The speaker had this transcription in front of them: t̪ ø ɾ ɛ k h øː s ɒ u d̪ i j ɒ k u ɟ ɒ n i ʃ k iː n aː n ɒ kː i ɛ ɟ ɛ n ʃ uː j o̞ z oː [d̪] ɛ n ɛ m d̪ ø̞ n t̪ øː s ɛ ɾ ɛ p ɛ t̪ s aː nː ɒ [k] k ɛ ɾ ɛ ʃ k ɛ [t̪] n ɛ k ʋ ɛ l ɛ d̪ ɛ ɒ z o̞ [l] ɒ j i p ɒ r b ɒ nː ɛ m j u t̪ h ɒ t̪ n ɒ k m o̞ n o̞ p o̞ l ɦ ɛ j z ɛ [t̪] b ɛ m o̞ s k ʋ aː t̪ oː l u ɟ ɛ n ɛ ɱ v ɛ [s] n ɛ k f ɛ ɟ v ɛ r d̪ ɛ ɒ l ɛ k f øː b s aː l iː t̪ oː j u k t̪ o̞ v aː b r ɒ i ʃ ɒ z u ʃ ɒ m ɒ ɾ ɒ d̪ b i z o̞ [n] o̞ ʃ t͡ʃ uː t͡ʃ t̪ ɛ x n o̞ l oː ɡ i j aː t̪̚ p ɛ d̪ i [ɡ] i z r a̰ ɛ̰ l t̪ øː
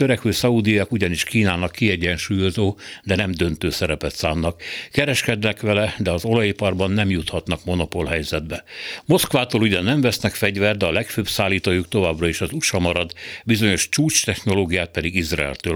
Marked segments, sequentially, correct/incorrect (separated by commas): correct, correct, incorrect, correct, incorrect, correct, incorrect, correct